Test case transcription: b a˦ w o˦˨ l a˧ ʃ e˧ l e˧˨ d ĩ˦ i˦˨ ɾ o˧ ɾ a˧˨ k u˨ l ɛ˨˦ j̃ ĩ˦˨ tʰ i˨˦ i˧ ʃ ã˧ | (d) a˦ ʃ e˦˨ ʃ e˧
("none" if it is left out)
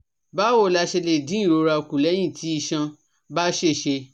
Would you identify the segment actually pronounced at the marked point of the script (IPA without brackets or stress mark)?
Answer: b